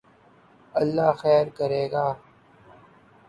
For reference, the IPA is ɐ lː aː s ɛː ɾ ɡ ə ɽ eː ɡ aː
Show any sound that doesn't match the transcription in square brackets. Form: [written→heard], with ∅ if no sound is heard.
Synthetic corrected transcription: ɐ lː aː [s→x] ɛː ɾ [ɡ→k] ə [ɽ→ɾ] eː ɡ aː